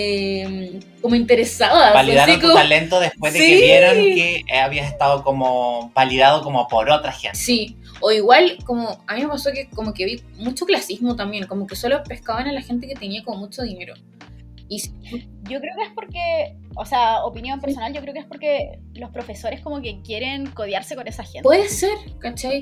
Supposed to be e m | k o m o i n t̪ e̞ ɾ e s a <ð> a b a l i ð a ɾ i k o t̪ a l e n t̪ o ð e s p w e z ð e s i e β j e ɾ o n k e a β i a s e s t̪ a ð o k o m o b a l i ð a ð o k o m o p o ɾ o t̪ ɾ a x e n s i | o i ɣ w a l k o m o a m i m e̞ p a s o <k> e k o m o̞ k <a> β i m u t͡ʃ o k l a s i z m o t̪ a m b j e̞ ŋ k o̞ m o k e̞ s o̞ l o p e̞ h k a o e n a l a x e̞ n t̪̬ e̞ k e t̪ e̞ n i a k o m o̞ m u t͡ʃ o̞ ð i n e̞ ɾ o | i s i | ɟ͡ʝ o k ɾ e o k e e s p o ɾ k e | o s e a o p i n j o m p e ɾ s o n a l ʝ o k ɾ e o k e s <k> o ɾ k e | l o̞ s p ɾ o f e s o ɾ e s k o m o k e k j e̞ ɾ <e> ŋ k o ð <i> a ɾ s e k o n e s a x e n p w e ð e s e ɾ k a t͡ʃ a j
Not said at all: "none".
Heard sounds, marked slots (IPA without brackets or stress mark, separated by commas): ð, k, e, p, e, j